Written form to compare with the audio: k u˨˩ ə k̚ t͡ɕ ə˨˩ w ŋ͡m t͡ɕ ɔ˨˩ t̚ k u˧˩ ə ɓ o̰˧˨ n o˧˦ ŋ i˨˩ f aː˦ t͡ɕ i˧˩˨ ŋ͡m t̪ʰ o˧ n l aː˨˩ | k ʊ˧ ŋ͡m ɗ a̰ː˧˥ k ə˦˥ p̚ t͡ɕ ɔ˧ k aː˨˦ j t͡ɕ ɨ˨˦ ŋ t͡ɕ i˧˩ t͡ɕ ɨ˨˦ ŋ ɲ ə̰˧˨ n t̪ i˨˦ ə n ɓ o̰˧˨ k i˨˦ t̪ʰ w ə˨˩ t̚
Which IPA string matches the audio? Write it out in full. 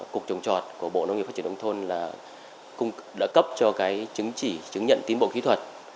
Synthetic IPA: k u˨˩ ə k̚ t͡ɕ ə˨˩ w ŋ͡m t͡ɕ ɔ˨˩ t̚ k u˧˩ ə ɓ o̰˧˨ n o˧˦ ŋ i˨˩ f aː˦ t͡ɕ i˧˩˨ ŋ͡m t̪ʰ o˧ n l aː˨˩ | k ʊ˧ ŋ͡m ɗ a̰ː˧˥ k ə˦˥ p̚ t͡ɕ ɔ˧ k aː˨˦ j t͡ɕ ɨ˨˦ ŋ t͡ɕ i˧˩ t͡ɕ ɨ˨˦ ŋ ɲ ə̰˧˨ n t̪ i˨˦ ə n ɓ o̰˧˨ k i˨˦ t̪ʰ w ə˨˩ t̚

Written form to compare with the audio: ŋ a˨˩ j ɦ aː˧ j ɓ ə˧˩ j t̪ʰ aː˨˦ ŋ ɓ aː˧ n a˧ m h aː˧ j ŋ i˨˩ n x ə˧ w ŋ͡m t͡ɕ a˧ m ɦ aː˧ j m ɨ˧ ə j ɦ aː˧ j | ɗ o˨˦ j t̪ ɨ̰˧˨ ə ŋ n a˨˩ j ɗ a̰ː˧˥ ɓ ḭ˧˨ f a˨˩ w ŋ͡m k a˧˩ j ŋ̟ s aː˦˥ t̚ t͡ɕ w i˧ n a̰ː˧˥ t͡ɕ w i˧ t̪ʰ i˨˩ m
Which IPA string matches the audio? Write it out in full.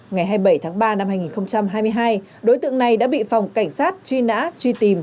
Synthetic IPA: ŋ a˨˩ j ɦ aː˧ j ɓ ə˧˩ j t̪ʰ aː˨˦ ŋ ɓ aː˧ n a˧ m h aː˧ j ŋ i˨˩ n x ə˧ w ŋ͡m t͡ɕ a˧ m ɦ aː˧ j m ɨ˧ ə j ɦ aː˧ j | ɗ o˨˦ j t̪ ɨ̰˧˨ ə ŋ n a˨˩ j ɗ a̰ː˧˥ ɓ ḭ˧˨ f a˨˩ w ŋ͡m k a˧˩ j ŋ̟ s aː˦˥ t̚ t͡ɕ w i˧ n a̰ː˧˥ t͡ɕ w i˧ t̪ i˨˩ m

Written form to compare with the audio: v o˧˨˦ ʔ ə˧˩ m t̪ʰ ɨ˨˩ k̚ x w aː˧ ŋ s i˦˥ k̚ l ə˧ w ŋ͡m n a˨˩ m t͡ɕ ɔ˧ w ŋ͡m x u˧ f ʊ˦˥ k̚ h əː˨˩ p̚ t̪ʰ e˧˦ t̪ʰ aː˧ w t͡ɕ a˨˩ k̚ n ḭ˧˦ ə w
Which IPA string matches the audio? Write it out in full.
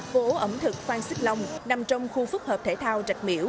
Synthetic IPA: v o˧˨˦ ʔ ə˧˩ m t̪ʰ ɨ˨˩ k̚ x w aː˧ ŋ s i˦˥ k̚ l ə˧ w ŋ͡m n a˨˩ m t͡ɕ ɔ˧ w ŋ͡m x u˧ f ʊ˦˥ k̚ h əː˨˩ p̚ t̪ʰ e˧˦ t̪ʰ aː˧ w t͡ɕ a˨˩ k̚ m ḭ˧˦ ə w

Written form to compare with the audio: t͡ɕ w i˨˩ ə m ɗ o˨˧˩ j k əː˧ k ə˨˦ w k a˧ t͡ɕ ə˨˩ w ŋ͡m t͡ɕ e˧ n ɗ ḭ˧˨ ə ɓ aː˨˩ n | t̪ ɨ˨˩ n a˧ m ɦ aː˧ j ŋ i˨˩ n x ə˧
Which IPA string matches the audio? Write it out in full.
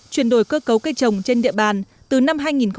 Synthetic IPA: t͡ɕ w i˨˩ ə n ɗ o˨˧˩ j k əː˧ k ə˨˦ w k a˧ t͡ɕ ə˨˩ w ŋ͡m t͡ɕ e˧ n ɗ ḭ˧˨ ə ɓ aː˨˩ n | t̪ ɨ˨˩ n a˧ m ɦ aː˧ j ŋ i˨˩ n x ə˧

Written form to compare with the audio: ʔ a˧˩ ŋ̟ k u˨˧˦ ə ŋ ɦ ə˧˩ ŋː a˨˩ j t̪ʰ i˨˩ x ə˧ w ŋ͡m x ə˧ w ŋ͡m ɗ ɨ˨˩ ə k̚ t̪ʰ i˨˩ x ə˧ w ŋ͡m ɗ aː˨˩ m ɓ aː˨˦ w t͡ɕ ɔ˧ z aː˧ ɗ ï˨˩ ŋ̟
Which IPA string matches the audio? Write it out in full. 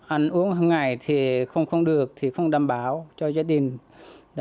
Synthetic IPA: ʔ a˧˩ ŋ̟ ʔ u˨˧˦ ə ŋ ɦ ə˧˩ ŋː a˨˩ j t̪ʰ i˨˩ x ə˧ w ŋ͡m x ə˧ w ŋ͡m ɗ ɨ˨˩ ə k̚ t̪ʰ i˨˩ x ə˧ w ŋ͡m ɗ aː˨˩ m ɓ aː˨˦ w t͡ɕ ɔ˧ z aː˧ ɗ ï˨˩ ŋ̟

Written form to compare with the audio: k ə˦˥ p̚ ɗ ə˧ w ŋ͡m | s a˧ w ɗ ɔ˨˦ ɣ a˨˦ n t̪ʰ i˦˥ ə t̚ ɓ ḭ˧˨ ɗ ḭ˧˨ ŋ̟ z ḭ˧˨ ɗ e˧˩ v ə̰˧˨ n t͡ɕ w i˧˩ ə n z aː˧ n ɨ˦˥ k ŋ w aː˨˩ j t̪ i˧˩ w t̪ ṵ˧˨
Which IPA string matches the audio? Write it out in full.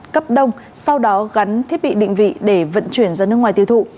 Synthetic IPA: k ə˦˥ p̚ ɗ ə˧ w ŋ͡m | s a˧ w ɗ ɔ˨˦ ɣ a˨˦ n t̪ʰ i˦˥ ə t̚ ɓ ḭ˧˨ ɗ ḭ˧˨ ŋ̟ v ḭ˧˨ ɗ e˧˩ v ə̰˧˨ n t͡ɕ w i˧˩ ə n z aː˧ n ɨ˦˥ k ŋ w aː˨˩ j t̪ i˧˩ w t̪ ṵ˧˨

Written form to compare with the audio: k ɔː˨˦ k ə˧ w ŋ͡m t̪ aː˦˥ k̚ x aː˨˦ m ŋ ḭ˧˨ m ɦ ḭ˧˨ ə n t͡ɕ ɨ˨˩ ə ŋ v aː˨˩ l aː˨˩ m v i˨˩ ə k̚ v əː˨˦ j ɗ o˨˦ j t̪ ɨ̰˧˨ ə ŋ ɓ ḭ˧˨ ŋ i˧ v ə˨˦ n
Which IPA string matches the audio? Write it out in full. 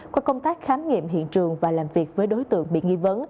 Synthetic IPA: k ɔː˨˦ k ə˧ w ŋ͡m t̪ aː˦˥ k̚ x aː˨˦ m ŋ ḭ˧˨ m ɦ ḭ˧˨ ə n t͡ɕ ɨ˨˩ ə ŋ v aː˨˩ l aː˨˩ m v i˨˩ ə k̚ v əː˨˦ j ɗ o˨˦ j t̪ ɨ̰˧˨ ə ŋ ɓ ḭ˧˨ ŋ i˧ v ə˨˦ n

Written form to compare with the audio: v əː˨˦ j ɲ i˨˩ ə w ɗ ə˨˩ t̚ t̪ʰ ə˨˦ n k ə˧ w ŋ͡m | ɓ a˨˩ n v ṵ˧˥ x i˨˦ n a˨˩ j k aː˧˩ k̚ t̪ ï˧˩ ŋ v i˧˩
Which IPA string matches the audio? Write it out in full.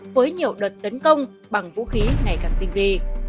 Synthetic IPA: v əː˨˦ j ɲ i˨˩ ə w ɗ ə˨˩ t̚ t̪ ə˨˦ n k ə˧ w ŋ͡m | ɓ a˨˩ ŋ v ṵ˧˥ x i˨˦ ŋ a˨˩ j k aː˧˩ k̚ t̪ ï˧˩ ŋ v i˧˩

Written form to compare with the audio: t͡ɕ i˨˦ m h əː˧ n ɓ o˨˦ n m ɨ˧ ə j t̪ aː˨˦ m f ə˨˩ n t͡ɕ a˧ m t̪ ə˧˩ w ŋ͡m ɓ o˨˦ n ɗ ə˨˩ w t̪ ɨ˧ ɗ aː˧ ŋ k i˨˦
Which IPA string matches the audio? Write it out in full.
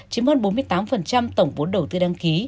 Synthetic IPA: t͡ɕ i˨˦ m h əː˧ n ɓ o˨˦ n m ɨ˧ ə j t̪ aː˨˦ m f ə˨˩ n t͡ɕ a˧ m t̪ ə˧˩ w ŋ͡m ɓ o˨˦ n ɗ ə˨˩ w t̪ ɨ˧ ɗ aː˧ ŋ k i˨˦

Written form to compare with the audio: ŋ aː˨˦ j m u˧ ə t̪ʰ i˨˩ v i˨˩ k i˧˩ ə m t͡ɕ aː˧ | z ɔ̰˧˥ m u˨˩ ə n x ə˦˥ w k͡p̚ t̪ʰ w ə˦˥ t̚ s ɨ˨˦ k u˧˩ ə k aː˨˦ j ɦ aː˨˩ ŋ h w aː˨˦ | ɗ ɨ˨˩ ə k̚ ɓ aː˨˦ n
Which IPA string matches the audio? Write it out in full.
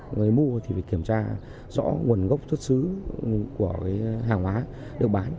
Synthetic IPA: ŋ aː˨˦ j m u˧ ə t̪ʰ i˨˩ v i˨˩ k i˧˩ ə m t͡ɕ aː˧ | z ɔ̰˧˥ ŋ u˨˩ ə n ɣ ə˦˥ w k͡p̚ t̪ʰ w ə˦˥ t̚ s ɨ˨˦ k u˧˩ ə k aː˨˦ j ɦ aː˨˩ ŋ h w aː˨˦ | ɗ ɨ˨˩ ə k̚ ɓ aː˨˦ n

